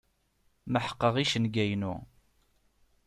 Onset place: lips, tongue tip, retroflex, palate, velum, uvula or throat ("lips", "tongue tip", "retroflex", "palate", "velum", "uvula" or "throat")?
lips